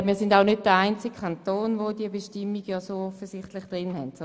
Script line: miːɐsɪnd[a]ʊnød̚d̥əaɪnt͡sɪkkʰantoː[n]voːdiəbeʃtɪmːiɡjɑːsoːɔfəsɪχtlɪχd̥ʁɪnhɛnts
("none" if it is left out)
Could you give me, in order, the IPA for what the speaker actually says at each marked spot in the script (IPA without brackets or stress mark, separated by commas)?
a, n